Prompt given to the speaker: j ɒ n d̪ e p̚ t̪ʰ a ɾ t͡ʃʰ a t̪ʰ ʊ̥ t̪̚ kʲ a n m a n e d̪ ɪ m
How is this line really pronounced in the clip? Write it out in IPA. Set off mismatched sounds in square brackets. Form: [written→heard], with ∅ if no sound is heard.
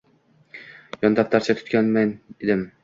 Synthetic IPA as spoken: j ɒ n d̪ [e→a] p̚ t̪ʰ a ɾ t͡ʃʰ a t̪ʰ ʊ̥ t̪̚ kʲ a n m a n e d̪ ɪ m